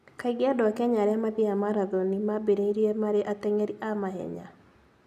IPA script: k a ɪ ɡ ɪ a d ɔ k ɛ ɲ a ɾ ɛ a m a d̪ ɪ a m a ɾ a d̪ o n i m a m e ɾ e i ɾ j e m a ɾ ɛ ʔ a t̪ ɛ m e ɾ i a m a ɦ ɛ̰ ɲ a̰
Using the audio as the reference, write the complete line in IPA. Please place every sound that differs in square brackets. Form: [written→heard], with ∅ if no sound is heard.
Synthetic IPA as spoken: k a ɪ ɡ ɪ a d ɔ k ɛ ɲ a ɾ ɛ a m a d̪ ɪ a m a ɾ a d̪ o n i m a [m→b] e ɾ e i ɾ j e m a ɾ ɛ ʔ a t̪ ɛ [m→ŋ] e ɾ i a m a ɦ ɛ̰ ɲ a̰